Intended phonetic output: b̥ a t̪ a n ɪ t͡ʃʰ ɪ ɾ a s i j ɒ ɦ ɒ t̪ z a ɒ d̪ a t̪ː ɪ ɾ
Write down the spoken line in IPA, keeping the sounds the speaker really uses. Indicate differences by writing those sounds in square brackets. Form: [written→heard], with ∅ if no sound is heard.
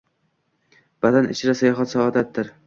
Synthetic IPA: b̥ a [t̪→d̪] a n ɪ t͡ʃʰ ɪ ɾ a s [i→a] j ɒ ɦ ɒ t̪ [z→s] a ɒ d̪ a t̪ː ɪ ɾ